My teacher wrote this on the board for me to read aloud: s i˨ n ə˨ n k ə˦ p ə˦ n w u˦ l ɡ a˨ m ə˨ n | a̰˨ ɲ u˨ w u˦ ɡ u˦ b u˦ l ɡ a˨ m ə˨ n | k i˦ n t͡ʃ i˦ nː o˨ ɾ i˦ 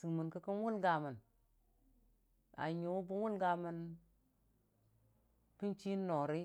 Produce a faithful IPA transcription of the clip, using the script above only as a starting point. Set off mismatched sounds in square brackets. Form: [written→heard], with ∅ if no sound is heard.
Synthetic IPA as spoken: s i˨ [n→m] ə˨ n k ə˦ [p→k] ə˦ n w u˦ l ɡ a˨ m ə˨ n | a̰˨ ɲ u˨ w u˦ [ɡ→b] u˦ [b→w] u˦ l ɡ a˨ m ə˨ n | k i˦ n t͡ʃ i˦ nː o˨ ɾ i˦